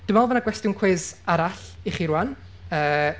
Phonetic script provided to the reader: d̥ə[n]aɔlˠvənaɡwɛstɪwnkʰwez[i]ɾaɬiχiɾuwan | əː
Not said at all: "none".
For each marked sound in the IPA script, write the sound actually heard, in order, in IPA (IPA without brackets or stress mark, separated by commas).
m, a